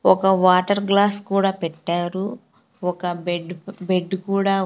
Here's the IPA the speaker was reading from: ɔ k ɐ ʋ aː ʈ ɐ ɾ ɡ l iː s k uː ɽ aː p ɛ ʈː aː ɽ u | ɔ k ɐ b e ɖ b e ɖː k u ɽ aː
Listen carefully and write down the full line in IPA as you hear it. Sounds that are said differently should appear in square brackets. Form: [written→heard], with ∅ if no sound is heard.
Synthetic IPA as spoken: ɔ k ɐ ʋ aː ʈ ɐ ɾ ɡ l [iː→aː] s k uː ɽ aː p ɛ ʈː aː [ɽ→ɾ] u | ɔ k ɐ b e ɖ b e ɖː k [u→uː] ɽ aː